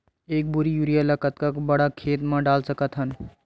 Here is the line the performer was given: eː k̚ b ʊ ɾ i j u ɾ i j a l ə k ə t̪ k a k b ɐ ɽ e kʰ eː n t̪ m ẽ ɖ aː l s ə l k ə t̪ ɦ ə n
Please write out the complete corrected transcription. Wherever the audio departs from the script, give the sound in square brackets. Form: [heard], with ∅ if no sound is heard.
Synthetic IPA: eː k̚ b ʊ ɾ i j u ɾ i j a l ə k ə t̪ k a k b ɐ ɽ [a] kʰ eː [∅] t̪ m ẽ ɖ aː l s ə [∅] k ə t̪ ɦ ə n